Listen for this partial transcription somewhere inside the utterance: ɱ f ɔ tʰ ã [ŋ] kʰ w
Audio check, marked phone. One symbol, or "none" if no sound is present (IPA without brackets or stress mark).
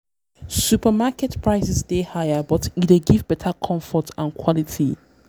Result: n